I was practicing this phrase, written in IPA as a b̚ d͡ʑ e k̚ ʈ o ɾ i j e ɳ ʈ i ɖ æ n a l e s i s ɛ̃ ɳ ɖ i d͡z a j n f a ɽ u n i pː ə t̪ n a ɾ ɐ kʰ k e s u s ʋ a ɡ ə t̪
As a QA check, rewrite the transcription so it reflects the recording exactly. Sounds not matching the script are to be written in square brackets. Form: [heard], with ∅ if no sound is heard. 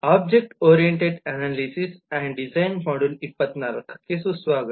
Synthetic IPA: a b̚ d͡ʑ e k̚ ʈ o ɾ i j e ɳ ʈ [e] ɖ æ n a l [i] s i s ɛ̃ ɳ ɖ i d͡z a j n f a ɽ u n i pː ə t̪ n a ɾ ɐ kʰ k e s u s ʋ a ɡ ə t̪